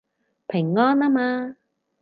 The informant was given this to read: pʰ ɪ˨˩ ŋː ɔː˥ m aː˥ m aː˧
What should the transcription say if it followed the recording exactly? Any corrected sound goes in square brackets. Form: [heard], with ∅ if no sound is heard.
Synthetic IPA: pʰ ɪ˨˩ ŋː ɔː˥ [n] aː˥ m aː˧

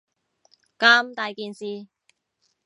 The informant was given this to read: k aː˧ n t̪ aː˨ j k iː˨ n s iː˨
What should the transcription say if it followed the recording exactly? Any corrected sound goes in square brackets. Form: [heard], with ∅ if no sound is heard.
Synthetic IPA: k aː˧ [m] t̪ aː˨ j k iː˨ n s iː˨

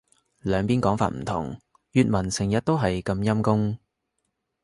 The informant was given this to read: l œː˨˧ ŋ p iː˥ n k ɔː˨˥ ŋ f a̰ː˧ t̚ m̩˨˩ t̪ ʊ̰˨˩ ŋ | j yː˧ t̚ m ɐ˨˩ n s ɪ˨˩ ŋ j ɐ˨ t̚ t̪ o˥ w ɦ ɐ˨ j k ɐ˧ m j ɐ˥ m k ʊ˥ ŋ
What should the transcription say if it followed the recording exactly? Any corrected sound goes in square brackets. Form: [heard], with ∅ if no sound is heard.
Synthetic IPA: l œː˨˧ ŋ p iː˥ n k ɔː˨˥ ŋ f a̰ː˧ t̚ m̩˨˩ [t̪ʰ] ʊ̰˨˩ ŋ | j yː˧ t̚ m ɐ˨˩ n s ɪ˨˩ ŋ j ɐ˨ t̚ t̪ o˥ w ɦ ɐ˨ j k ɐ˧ m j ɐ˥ m k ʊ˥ ŋ

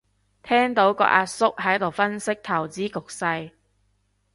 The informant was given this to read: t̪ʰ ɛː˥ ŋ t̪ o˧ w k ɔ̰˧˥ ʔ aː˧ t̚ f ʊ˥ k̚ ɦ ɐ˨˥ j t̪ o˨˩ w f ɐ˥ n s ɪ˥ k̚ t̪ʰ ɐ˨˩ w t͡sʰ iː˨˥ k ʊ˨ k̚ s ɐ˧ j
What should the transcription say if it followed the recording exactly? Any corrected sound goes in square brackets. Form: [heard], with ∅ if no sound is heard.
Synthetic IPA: t̪ʰ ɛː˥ ŋ t̪ [o˨˥] w k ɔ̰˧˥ ʔ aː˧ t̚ [s] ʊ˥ k̚ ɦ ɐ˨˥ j t̪ o˨˩ w f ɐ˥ n s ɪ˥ k̚ t̪ʰ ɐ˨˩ w [t͡s] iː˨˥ k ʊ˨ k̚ s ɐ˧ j

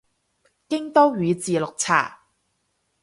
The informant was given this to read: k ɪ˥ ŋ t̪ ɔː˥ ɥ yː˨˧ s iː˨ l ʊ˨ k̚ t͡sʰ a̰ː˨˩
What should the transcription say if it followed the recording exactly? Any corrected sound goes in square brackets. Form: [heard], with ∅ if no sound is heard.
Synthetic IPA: k ɪ˥ ŋ t̪ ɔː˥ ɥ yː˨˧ [t͡s] iː˨ l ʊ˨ k̚ t͡sʰ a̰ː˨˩

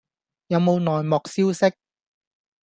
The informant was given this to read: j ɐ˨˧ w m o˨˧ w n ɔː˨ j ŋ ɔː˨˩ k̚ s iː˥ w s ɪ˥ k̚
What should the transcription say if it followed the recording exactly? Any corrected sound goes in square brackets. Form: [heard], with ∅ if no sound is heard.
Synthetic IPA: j ɐ˨˧ w m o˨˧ w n ɔː˨ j [m] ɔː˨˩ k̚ s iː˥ w s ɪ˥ k̚

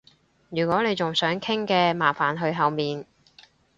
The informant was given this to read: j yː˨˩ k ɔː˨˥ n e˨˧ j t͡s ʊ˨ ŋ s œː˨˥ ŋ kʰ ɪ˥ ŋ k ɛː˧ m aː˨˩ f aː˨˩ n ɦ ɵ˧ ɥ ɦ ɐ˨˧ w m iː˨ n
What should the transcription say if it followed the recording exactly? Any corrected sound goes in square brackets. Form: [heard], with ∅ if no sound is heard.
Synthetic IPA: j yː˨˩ k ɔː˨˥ n e˨˧ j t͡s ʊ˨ ŋ s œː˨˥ ŋ kʰ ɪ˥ ŋ k ɛː˧ m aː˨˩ f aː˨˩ n ɦ ɵ˧ ɥ ɦ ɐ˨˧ w m iː˨ n

